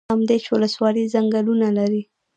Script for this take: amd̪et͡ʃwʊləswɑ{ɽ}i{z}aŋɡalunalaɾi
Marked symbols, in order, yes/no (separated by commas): no, yes